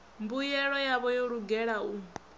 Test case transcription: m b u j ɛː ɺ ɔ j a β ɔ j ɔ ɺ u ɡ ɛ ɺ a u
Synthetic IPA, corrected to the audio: m b u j ɛ ɺ ɔ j a β ɔ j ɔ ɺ u ɡ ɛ ɺ a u